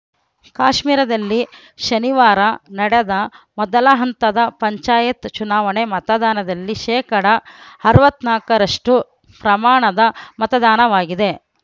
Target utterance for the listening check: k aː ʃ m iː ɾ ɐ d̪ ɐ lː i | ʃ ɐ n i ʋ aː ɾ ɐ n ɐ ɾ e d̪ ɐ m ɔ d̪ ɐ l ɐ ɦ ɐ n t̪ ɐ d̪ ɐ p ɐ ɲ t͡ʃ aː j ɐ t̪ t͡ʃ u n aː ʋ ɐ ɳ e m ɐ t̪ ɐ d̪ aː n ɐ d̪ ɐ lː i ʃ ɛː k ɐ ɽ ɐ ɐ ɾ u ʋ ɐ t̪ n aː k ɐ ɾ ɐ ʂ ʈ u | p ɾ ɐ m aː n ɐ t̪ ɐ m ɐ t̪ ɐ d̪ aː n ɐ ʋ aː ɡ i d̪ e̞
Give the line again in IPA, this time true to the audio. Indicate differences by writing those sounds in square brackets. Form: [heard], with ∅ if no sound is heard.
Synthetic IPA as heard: k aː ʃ m iː ɾ ɐ d̪ ɐ lː i | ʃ ɐ n i ʋ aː ɾ ɐ n ɐ [ɽ] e d̪ ɐ m ɔ d̪ ɐ l ɐ ɦ ɐ n t̪ ɐ d̪ ɐ p ɐ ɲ t͡ʃ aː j ɐ t̪ t͡ʃ u n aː ʋ ɐ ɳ e m ɐ t̪ ɐ d̪ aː n ɐ d̪ ɐ lː i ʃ ɛː k ɐ ɽ ɐ ɐ ɾ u ʋ ɐ t̪ n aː k ɐ ɾ ɐ ʂ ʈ u | p ɾ ɐ m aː [ɳ] ɐ [d̪] ɐ m ɐ t̪ ɐ d̪ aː n ɐ ʋ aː ɡ i d̪ e̞